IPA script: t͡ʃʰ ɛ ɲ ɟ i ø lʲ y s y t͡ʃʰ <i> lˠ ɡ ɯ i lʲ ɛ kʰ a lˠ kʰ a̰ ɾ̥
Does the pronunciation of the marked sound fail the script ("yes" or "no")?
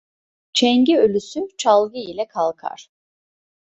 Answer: yes